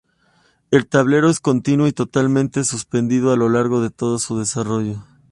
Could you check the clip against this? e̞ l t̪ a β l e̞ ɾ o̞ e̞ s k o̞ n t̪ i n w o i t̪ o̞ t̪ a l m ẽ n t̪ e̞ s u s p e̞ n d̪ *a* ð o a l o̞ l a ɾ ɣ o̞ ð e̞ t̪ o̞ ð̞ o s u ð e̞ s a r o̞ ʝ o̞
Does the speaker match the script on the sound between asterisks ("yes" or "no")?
no